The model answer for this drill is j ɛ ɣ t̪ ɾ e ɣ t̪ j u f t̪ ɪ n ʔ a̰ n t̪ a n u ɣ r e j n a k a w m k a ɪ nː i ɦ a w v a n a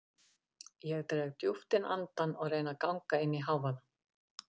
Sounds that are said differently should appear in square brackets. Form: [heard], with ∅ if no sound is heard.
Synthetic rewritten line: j ɛ ɣ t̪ ɾ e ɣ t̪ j u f t̪ ɪ n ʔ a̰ n t̪ a n [ɔ] ɣ r e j n a k a w [ŋ] k a ɪ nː i ɦ a w v a n a